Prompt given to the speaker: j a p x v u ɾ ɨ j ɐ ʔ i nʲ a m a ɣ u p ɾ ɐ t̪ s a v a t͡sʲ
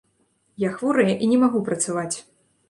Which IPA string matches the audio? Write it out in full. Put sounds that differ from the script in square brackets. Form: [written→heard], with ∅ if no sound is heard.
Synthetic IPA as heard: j a [p→∅] x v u ɾ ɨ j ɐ ʔ i nʲ [a→ɛ] m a ɣ u p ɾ ɐ t̪ s a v a t͡sʲ